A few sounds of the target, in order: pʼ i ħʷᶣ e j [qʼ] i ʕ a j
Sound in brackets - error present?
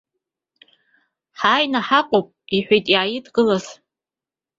yes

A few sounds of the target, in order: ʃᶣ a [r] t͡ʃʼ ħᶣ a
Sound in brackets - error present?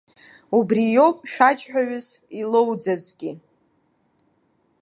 yes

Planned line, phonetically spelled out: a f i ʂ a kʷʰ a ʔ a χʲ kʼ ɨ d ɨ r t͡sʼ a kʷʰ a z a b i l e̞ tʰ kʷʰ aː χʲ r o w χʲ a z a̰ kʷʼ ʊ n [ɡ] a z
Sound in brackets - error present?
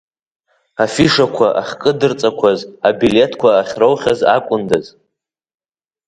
yes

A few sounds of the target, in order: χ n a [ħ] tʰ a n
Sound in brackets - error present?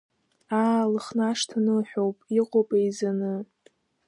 yes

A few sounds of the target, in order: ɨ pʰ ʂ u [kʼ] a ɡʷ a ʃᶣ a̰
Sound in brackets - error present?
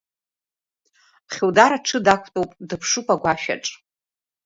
yes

